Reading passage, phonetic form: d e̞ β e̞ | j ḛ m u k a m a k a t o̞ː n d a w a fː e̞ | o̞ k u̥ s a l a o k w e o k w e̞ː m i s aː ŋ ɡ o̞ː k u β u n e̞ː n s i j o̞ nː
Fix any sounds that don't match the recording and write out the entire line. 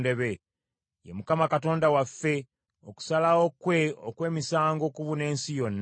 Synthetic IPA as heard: d e̞ β e̞ | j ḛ m u k a m a k a t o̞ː n d a w a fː e̞ | o̞ k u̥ s a l a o k w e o k w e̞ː m i s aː ŋ ɡ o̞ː k u β u n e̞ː n s i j o̞ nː